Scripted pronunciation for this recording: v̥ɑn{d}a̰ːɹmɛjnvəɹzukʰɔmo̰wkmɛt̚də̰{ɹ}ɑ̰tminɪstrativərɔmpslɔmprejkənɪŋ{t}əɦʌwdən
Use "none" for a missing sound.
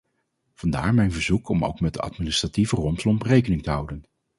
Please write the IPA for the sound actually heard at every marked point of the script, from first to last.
d, none, t

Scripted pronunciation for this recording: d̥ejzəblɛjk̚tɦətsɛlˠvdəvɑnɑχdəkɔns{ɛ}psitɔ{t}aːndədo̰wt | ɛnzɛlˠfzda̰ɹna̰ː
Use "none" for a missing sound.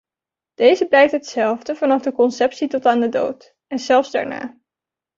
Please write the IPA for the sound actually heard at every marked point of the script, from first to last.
ɛ, t

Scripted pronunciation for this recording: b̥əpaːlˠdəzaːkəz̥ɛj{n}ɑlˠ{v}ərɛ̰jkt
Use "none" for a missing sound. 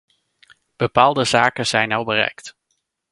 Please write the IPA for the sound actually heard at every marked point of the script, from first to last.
n, b

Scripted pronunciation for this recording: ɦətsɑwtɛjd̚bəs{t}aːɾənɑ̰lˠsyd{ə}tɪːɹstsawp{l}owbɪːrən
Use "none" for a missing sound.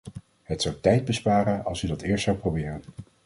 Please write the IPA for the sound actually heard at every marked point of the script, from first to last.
p, ɑ, r

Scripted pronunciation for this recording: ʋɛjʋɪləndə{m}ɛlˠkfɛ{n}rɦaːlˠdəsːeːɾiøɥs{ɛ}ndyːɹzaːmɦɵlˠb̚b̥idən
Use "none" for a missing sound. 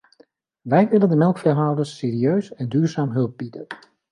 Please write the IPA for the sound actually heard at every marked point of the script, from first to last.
m, none, ɛ

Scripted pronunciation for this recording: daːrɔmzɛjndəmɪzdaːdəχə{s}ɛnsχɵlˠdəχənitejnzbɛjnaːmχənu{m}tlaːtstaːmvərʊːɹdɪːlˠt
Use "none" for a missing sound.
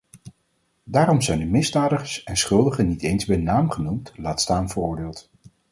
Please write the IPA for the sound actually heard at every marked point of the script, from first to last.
s, m

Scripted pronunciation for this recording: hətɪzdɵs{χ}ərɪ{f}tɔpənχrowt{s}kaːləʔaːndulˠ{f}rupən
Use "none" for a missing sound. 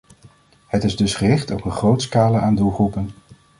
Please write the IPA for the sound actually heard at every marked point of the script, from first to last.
χ, χ, s, χ

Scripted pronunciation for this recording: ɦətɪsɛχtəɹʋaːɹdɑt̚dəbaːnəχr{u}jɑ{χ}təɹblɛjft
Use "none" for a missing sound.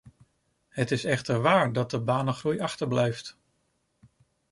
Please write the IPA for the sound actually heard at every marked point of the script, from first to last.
u, χ

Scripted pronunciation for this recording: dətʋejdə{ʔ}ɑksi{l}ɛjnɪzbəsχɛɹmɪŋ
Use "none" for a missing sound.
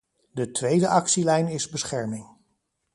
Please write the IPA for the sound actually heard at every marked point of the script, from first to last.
ʔ, l

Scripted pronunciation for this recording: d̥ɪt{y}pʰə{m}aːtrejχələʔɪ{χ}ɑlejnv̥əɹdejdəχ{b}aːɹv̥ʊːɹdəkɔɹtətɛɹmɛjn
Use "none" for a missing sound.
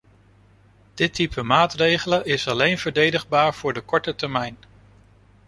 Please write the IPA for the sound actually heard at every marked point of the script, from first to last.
i, m, s, b

